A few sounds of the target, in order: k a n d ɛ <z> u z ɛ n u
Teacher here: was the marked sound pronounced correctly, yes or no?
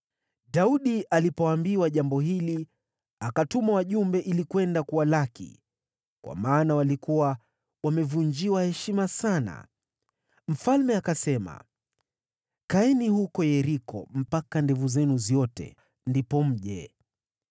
no